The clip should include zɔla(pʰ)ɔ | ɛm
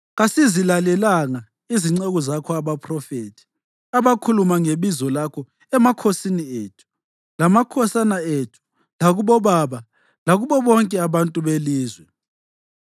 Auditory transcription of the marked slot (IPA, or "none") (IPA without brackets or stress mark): kʰ